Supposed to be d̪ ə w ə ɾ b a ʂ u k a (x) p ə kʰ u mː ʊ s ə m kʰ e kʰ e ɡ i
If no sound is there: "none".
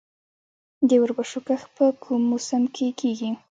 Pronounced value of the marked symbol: x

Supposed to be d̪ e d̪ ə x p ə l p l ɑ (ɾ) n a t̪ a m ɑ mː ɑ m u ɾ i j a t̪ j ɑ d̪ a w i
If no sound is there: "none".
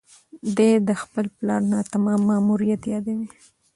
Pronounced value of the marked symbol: ɾ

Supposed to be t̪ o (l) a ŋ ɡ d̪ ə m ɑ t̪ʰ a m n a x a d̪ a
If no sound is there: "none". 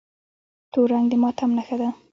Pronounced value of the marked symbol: ɾ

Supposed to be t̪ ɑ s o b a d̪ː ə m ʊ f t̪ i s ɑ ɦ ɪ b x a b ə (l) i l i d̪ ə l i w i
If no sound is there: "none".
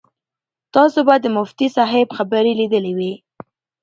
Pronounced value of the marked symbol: ɾ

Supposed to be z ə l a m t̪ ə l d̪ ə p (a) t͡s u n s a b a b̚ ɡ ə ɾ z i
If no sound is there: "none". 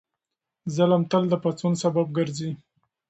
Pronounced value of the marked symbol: a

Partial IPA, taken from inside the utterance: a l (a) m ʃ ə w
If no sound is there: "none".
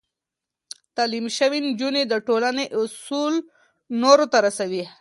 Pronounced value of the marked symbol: i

